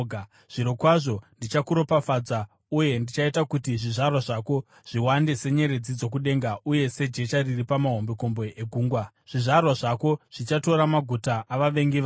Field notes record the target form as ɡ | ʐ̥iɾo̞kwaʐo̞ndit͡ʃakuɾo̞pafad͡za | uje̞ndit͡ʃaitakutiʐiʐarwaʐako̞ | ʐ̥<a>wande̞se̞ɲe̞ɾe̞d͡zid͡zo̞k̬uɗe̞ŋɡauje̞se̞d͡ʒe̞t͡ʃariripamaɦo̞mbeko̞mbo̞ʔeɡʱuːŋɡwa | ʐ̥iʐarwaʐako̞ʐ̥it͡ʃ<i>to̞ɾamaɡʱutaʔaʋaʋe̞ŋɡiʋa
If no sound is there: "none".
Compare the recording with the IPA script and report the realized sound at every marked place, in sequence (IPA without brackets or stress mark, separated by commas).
i, a